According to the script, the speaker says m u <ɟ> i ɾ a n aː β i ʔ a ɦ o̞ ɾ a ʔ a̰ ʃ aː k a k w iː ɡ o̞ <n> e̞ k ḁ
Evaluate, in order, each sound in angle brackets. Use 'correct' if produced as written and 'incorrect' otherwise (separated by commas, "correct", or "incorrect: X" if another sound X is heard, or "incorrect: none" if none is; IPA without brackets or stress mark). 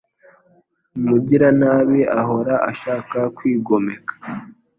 correct, incorrect: m